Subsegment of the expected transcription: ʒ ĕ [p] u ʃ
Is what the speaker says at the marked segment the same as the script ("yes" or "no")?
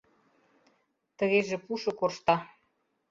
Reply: yes